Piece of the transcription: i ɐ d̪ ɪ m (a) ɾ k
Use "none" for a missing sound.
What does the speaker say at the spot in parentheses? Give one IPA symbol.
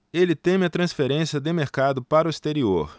e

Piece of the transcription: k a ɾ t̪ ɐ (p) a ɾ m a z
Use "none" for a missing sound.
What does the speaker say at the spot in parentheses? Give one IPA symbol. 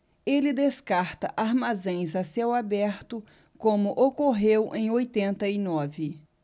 ʔ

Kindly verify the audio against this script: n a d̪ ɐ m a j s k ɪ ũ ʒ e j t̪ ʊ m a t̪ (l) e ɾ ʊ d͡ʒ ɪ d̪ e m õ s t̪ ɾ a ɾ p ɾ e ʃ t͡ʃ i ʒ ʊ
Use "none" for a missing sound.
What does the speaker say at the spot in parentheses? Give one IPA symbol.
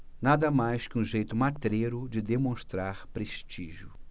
ɾ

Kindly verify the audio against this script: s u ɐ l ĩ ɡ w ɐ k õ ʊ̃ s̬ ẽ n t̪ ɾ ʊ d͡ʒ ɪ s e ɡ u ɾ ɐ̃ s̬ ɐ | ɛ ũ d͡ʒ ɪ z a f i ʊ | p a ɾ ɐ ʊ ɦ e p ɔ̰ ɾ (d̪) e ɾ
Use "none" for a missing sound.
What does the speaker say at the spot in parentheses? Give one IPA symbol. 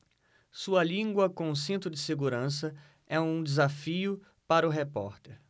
t̪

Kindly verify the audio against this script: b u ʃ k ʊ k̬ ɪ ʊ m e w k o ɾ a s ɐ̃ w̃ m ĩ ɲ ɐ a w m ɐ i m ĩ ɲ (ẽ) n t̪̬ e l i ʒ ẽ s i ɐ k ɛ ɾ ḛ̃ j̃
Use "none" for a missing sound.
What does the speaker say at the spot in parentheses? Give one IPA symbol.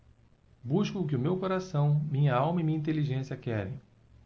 ĩ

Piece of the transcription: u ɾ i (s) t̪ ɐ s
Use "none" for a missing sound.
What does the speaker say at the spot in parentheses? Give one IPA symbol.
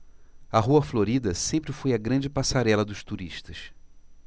ʃ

